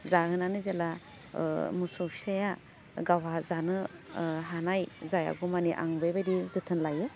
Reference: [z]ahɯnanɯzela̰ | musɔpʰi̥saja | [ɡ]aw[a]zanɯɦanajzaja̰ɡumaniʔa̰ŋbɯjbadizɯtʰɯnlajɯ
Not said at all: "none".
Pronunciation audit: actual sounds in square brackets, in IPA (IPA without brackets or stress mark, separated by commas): z, ɡ, a